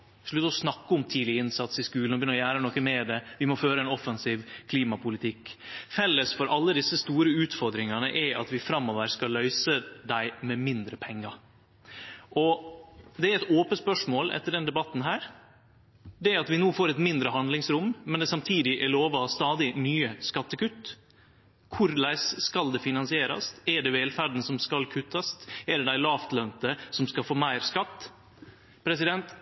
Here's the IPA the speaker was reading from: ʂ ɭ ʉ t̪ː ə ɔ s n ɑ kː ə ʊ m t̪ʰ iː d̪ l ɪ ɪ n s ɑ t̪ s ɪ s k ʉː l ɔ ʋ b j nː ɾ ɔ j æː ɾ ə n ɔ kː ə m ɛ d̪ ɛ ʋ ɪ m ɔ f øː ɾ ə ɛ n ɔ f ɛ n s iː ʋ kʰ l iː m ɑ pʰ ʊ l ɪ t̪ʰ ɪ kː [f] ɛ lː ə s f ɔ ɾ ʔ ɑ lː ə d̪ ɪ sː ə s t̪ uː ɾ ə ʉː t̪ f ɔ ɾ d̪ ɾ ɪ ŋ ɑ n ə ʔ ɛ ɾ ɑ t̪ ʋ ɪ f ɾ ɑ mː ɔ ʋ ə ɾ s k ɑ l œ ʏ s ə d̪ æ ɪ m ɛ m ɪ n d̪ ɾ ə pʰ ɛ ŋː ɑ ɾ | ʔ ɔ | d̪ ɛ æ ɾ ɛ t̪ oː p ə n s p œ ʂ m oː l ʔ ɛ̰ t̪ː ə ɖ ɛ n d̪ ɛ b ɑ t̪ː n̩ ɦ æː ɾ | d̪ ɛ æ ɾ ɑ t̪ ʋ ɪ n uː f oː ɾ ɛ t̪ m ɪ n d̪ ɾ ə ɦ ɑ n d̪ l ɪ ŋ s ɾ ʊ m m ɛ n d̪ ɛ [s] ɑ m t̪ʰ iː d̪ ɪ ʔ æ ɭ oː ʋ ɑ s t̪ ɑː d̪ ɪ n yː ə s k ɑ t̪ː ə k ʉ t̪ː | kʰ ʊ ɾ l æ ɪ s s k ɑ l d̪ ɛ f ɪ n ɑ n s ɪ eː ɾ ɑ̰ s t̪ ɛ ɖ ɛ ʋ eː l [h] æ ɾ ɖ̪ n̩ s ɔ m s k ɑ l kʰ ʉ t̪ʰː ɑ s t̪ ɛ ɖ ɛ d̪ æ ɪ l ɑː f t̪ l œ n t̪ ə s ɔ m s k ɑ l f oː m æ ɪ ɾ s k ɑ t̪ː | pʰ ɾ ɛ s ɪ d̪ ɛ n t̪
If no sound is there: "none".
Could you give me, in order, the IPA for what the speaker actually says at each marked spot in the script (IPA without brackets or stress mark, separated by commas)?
f, s, f